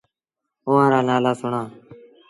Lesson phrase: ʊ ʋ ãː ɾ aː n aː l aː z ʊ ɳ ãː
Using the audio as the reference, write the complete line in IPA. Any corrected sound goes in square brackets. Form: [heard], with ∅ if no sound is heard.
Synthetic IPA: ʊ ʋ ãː ɾ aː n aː l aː [s] ʊ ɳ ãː